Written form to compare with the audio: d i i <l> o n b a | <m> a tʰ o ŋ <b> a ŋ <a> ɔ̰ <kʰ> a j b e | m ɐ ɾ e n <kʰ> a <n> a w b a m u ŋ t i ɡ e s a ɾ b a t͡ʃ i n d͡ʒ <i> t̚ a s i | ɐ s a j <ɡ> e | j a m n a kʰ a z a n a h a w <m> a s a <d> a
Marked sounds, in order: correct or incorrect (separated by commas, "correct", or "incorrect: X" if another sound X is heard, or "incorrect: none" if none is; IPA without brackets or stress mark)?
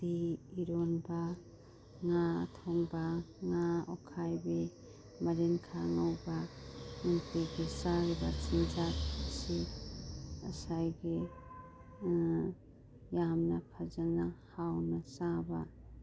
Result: incorrect: ɾ, incorrect: ŋ, correct, correct, correct, correct, incorrect: ŋ, incorrect: a, correct, incorrect: n, incorrect: b